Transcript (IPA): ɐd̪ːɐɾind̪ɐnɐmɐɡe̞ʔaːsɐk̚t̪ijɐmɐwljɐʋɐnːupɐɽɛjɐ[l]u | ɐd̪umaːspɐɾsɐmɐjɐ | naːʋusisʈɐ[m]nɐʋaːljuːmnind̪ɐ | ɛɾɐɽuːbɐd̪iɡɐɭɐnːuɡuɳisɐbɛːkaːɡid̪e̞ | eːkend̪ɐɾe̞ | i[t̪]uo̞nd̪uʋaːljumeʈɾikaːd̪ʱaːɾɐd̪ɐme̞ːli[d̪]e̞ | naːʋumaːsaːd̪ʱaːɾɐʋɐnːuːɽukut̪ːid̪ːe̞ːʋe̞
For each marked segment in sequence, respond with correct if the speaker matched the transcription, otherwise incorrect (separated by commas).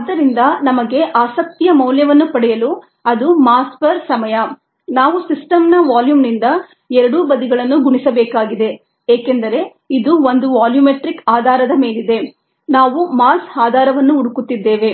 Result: correct, correct, incorrect, correct